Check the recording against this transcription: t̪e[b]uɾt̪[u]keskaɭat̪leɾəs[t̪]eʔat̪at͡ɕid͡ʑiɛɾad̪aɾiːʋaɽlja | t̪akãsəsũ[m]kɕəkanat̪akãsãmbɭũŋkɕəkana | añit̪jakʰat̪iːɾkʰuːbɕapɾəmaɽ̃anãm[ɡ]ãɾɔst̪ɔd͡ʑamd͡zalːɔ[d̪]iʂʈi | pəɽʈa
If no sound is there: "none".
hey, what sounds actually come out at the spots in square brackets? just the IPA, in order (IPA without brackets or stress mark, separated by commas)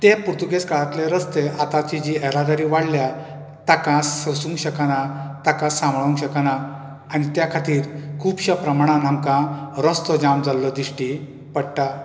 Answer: p, u, t̪, ŋ, k, d̪